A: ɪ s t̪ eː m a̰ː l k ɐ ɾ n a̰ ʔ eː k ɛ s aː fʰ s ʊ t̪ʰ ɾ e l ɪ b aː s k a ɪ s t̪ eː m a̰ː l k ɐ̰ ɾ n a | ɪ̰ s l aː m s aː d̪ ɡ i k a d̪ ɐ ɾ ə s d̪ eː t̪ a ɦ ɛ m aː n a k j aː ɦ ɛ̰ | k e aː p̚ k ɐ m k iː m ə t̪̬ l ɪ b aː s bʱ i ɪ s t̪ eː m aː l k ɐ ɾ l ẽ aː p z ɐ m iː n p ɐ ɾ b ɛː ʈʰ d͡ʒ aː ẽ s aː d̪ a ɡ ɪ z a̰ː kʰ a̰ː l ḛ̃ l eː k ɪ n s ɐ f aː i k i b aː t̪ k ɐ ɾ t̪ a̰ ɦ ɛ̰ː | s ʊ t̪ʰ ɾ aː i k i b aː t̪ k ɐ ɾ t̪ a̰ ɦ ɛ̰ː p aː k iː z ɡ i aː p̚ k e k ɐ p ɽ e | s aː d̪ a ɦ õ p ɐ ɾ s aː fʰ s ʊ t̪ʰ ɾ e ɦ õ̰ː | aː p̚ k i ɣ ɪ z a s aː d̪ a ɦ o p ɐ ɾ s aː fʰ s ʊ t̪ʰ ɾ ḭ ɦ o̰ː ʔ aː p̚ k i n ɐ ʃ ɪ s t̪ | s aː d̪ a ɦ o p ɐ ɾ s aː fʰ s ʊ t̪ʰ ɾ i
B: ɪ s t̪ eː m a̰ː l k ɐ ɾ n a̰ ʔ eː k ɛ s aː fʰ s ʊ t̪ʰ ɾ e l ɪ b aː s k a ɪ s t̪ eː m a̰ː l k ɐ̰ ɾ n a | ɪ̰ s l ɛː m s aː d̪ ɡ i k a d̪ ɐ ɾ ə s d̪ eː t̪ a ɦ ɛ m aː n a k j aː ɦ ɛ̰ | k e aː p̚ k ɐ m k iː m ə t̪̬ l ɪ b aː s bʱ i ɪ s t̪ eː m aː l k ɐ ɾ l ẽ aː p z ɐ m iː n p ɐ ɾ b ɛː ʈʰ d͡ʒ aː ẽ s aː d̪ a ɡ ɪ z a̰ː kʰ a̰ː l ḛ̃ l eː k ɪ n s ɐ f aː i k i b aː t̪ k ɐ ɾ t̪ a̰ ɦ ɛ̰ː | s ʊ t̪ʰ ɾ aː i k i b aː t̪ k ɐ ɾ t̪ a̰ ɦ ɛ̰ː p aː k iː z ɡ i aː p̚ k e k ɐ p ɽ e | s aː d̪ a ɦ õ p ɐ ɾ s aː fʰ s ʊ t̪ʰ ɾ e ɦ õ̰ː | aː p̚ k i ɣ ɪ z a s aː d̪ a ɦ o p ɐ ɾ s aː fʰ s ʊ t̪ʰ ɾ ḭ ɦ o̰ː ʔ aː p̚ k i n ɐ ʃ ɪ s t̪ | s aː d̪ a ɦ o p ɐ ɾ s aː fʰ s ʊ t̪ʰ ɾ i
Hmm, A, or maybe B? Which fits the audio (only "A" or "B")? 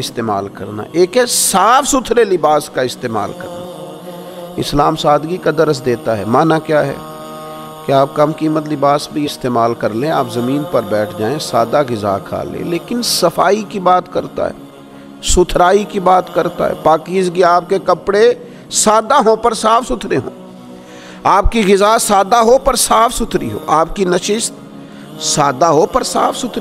A